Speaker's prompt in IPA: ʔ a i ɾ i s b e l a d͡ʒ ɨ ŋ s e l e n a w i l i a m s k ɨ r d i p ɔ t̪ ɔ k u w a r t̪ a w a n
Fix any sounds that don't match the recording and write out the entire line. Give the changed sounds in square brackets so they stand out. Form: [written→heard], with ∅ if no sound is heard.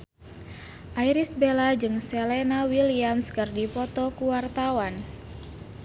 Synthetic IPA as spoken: ʔ a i ɾ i s b e l a d͡ʒ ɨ ŋ s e l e n a w i l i a m s k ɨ r d i p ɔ t̪ ɔ k u w a r t̪ a w a n